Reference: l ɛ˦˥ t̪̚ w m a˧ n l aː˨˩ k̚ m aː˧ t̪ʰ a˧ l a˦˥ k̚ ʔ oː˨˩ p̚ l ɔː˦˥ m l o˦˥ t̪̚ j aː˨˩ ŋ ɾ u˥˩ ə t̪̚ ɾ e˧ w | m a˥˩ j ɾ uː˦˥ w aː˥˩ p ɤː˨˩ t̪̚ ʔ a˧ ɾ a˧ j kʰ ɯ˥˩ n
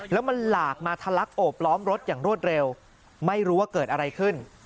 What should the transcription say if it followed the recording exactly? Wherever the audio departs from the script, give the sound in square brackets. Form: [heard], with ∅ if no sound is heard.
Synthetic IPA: l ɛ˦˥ [∅] w m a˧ n l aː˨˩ k̚ m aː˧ t̪ʰ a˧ l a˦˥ k̚ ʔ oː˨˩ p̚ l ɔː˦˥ m [ɾ] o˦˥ t̪̚ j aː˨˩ ŋ ɾ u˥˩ ə t̪̚ ɾ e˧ w | m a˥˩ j ɾ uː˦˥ w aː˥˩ [k] ɤː˨˩ t̪̚ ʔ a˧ ɾ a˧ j kʰ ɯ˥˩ n